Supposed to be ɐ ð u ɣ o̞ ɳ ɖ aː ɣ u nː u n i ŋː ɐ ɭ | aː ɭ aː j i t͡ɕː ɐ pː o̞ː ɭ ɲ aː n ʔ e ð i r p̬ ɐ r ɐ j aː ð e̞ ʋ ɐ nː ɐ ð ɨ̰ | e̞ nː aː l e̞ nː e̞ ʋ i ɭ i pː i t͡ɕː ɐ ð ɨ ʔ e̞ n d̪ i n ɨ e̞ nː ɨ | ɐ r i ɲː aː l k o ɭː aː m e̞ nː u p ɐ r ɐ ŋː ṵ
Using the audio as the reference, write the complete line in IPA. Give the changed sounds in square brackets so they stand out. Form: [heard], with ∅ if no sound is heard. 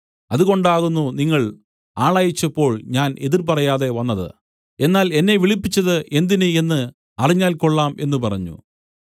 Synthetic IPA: ɐ ð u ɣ o̞ ɳ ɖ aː ɣ u nː u n i ŋː ɐ ɭ | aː ɭ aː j i t͡ɕː ɐ pː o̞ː ɭ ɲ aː n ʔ e ð i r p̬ ɐ r ɐ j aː ð e̞ ʋ ɐ nː ɐ ð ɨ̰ | e̞ nː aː l e̞ nː e̞ ʋ i ɭ i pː i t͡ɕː ɐ ð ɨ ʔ e̞ n d̪ i n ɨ e̞ nː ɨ | ɐ r i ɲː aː l k o ɭː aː m e̞ nː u p ɐ r ɐ [ɲː] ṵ